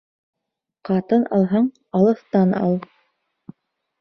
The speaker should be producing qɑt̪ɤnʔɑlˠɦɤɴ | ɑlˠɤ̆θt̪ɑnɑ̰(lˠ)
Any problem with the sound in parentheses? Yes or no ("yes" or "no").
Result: no